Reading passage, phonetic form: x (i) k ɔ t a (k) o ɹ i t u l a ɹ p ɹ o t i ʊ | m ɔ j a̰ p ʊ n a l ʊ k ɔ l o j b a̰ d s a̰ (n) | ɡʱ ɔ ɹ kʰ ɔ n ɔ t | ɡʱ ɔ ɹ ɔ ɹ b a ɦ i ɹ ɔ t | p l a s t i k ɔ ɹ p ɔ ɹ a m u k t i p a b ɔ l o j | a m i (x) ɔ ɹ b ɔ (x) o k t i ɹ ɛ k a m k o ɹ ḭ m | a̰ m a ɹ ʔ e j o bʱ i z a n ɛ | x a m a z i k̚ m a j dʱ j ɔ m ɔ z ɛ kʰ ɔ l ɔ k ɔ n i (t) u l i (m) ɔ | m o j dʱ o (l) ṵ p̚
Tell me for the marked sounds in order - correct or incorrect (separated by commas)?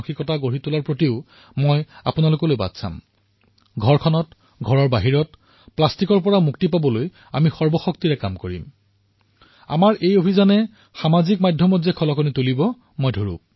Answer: correct, incorrect, incorrect, correct, correct, correct, incorrect, incorrect